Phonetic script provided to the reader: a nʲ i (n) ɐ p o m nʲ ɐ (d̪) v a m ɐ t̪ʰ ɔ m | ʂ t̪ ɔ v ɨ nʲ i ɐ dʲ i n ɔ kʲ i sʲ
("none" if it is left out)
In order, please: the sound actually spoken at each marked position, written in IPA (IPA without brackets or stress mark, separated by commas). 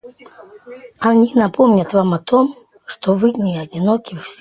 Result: n, t̪